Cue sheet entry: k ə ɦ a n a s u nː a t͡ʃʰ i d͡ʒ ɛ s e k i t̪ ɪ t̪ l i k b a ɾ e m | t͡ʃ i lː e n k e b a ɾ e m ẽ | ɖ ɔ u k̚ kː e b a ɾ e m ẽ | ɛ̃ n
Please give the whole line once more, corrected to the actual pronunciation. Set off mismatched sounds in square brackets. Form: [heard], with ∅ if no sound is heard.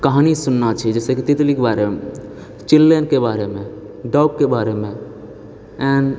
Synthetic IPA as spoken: k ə ɦ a n [i] s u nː a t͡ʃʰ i d͡ʒ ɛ s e k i t̪ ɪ t̪ l i k b a ɾ e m | t͡ʃ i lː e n k e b a ɾ e m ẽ | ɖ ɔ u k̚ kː e b a ɾ e m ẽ | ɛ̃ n